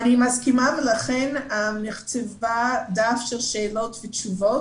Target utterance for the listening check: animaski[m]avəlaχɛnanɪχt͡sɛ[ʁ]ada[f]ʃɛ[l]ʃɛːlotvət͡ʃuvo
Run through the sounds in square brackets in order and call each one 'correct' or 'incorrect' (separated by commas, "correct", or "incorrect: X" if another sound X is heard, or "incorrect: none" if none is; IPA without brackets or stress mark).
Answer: correct, incorrect: v, correct, correct